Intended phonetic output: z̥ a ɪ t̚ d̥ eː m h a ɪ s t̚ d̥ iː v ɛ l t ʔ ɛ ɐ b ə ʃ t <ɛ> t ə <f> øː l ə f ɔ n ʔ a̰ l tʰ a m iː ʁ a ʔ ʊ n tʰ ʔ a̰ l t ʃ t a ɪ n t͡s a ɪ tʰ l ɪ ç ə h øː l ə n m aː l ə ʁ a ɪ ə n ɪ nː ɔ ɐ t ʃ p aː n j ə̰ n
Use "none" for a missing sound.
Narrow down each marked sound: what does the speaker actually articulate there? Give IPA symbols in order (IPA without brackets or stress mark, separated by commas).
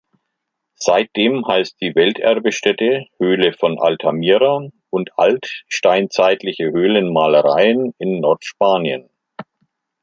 ɛ, h